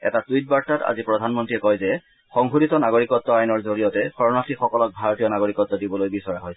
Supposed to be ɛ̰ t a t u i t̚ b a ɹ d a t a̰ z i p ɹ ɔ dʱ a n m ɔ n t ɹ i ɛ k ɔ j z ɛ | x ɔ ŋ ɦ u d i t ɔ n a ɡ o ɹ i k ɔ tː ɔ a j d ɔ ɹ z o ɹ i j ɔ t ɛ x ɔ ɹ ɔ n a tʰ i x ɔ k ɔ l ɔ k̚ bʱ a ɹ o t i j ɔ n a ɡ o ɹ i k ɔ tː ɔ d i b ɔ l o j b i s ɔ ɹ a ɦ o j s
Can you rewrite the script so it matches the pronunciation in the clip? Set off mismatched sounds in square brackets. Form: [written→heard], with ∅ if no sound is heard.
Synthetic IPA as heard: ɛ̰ t a t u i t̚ b a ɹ [d→t] a t a̰ z i p ɹ ɔ dʱ a n m ɔ n t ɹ i ɛ k ɔ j z ɛ | x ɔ ŋ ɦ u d i t ɔ n a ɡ o ɹ i k ɔ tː ɔ a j [d→n] ɔ ɹ z o ɹ i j ɔ t ɛ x ɔ ɹ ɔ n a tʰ i x ɔ k ɔ l ɔ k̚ bʱ a ɹ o t i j ɔ n a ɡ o ɹ i k ɔ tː ɔ d i b ɔ l o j b i s ɔ ɹ a ɦ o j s